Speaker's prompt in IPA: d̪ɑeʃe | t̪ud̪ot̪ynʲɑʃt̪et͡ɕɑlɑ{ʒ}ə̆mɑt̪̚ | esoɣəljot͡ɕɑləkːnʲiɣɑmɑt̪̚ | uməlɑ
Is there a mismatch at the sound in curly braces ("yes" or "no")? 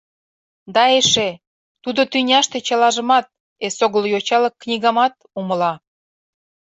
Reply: no